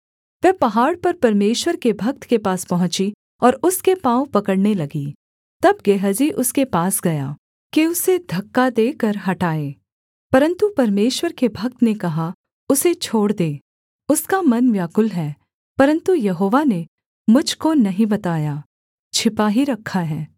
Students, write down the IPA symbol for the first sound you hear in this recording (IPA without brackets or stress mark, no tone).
ʋ